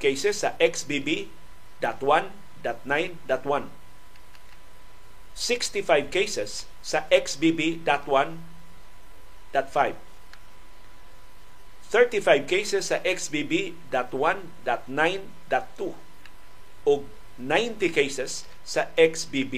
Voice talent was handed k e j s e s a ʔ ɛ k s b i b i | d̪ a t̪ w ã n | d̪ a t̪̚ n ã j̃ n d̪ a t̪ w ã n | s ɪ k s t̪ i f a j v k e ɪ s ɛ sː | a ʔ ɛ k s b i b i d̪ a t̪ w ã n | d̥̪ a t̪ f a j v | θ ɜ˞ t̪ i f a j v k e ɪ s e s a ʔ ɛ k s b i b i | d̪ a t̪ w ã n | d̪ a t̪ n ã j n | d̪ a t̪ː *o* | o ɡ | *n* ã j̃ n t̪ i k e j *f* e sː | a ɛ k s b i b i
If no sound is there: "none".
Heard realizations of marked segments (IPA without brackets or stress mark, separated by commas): u, n, s